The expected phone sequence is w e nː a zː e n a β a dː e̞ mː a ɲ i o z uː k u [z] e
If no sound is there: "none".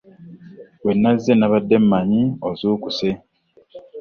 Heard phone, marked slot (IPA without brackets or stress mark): s